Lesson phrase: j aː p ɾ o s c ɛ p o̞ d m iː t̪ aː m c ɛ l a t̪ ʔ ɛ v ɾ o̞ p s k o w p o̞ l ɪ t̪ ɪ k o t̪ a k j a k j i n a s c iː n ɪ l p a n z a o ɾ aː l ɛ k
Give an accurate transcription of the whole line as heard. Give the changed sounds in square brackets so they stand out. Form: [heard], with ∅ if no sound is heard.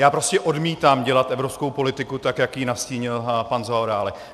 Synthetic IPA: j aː p ɾ o s c ɛ [ʔ] o̞ d m iː t̪ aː m [ɟ] ɛ l a t̪ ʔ ɛ v ɾ o̞ p s k o w p o̞ l ɪ t̪ ɪ k [u] t̪ a k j a k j i n a s c iː [ɲ] ɪ l p a n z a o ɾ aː l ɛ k